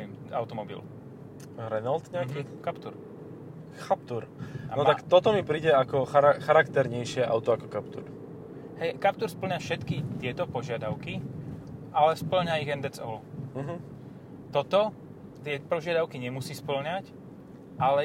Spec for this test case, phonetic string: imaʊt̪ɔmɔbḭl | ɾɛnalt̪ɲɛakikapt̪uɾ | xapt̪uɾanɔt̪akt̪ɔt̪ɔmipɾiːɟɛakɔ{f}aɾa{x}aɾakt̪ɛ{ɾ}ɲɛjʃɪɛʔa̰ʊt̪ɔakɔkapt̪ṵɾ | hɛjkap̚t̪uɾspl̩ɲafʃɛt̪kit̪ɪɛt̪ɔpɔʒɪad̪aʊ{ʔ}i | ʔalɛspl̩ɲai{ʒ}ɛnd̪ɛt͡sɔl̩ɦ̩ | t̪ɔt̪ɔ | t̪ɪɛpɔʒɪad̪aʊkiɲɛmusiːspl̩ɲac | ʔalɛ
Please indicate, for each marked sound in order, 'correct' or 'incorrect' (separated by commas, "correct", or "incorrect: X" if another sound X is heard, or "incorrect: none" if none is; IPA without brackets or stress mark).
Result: incorrect: x, correct, correct, incorrect: k, incorrect: ɣ